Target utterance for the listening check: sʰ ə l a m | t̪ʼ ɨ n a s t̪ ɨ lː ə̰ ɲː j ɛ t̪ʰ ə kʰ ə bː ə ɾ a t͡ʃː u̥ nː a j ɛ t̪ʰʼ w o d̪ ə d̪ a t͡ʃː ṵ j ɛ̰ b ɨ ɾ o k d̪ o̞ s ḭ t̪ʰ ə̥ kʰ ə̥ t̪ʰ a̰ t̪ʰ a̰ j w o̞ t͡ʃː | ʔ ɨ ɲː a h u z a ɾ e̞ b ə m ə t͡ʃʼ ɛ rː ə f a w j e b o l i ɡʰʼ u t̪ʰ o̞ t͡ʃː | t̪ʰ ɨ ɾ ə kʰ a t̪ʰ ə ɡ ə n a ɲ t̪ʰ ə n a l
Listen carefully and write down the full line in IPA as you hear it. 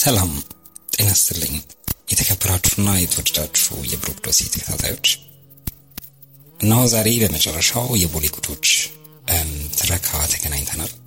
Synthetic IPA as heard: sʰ ə l a m | t̪ʼ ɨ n a s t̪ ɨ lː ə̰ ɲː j ɛ t̪ʰ ə kʰ ə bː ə ɾ a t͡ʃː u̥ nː a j ɛ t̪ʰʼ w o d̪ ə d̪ a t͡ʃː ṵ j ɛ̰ b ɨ ɾ o k d̪ o̞ s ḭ t̪ʰ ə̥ kʰ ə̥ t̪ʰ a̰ t̪ʰ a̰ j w o̞ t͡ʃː | ʔ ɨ nː a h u z a ɾ e̞ b ə m ə t͡ʃʼ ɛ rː ə ʃ a w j ɛ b o l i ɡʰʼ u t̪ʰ o̞ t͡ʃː | t̪ʰ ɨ ɾ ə kʰ a t̪ʰ ə ɡ ə n a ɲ t̪ʰ ə n a l